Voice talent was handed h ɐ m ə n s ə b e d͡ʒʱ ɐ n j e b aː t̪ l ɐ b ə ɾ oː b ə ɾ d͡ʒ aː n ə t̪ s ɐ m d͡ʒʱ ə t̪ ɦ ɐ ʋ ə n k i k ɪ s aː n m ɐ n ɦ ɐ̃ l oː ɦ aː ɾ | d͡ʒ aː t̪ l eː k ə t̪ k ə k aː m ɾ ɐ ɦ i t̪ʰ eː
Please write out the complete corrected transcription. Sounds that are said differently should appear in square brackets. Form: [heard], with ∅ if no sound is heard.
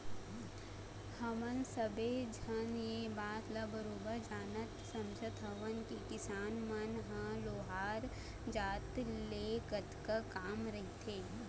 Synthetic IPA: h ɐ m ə n s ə b e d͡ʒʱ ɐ n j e b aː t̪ l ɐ b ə ɾ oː b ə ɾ d͡ʒ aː n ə t̪ s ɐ m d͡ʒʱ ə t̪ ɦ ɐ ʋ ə n k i k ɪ s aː n m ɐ n ɦ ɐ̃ l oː ɦ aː ɾ | d͡ʒ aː t̪ l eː k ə t̪ k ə k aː m ɾ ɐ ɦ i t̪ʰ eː